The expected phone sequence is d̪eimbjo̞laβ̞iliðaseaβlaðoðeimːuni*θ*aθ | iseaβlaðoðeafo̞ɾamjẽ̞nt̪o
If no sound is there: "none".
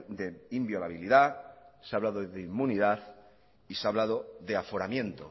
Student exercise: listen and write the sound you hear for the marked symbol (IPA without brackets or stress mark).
ð